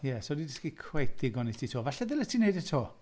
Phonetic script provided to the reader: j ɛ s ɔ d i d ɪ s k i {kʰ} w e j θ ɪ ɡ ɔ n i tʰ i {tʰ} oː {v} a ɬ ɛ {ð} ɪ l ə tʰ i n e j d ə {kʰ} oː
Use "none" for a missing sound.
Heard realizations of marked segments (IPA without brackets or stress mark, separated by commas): kʰ, tʰ, v, ð, tʰ